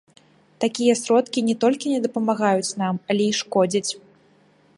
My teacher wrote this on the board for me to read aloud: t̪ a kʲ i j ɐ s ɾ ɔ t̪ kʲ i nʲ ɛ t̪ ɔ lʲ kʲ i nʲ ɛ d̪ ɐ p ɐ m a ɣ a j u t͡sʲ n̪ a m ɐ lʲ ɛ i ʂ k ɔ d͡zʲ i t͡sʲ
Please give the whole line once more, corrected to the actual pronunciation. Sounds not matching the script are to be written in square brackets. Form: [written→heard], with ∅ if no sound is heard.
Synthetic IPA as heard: t̪ a kʲ i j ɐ s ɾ ɔ t̪ kʲ i nʲ ɛ t̪ ɔ lʲ kʲ i nʲ ɛ d̪ ɐ p ɐ m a ɣ a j u t͡sʲ n̪ a m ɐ lʲ ɛ i ʂ k ɔ d͡zʲ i t͡sʲ